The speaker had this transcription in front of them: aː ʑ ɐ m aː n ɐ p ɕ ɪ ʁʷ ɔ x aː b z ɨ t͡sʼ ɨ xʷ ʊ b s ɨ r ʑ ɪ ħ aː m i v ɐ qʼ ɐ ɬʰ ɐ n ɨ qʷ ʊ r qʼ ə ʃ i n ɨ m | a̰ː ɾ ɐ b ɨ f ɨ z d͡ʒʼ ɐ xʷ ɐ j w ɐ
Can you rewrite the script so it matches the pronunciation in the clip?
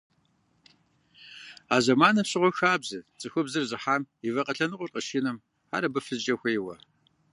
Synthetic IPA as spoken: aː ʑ ɐ m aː n ɐ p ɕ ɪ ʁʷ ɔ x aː b z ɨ t͡sʼ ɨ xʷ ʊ b z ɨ r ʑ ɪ ħ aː m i v ɐ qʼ ɐ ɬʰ ɐ n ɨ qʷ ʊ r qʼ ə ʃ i n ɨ m | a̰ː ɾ ɐ b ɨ f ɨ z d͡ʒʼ ɐ xʷ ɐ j w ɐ

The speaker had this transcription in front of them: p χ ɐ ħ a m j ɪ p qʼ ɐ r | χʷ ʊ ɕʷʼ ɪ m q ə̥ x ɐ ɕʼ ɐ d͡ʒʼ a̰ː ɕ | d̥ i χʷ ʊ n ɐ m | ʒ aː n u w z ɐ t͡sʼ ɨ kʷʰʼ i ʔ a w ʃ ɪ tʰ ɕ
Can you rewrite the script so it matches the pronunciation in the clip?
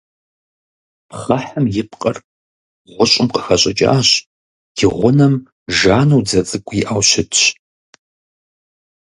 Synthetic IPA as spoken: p χ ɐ ħ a m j ɪ p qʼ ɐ r | ʁʷ ʊ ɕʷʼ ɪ m q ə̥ x ɐ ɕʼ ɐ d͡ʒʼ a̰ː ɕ | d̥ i ʁʷ ʊ n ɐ m | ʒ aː n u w d͡z ɐ t͡sʼ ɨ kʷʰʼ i ʔ a w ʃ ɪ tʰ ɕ

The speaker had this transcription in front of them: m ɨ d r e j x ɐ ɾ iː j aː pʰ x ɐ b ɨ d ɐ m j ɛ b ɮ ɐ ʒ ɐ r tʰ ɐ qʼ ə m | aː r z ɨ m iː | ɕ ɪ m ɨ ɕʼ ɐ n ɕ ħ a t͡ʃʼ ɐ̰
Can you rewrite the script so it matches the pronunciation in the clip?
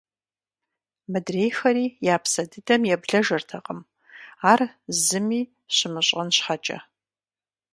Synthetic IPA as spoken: m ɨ d r e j x ɐ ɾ iː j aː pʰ s ɐ d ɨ d ɐ m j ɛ b ɮ ɐ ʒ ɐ r tʰ ɐ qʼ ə m | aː r z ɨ m iː | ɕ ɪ m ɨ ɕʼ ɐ n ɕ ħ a t͡ʃʼ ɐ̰

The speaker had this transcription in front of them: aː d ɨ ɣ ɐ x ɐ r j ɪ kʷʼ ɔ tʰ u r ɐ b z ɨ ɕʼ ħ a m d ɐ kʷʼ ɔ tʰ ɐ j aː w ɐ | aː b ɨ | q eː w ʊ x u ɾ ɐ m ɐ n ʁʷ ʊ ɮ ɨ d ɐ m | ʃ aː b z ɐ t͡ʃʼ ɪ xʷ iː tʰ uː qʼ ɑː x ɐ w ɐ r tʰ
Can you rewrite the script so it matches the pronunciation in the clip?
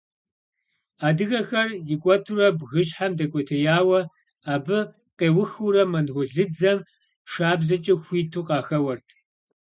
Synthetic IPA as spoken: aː d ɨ ɣ ɐ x ɐ r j ɪ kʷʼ ɔ tʰ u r ɐ b ɣ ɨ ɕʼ ħ a m d ɐ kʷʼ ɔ tʰ ɐ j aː w ɐ | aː b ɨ | q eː w ʊ x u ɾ ɐ m ɐ n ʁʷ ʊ ɮ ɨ d͡z ɐ m | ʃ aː b z ɐ t͡ʃʼ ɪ xʷ iː tʰ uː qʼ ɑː x ɐ w ɐ r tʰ

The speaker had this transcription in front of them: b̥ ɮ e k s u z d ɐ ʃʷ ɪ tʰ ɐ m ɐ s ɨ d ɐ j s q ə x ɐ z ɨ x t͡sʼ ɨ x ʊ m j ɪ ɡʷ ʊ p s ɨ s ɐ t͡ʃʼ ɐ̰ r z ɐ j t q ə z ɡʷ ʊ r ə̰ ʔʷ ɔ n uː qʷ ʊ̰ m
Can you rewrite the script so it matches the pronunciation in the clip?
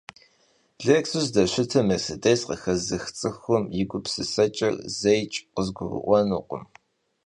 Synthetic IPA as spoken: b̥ ɮ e k s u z d ɐ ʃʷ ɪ tʰ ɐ m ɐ s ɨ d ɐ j s q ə x ɐ z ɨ x t͡sʼ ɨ x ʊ m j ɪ ɡʷ ʊ p s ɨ s ɐ t͡ʃʼ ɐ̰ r z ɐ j t͡ʃʼ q ə z ɡʷ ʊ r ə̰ ʔʷ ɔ n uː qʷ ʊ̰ m

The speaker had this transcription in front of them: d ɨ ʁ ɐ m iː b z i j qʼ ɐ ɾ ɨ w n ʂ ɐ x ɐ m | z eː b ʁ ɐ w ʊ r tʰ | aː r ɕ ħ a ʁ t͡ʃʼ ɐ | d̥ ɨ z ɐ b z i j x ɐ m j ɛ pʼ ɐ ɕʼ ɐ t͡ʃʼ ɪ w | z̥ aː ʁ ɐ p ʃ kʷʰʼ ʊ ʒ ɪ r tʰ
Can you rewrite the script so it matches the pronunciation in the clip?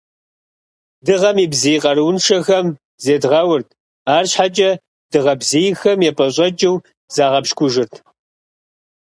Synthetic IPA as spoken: d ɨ ʁ ɐ m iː b z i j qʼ ɐ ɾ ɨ w n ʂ ɐ x ɐ m | z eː d ʁ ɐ w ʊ r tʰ | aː r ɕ ħ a t͡ʃʼ ɐ | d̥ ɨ ʁ ɐ b z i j x ɐ m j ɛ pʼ ɐ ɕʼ ɐ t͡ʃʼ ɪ w | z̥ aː ʁ ɐ p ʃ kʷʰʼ ʊ ʒ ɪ r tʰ

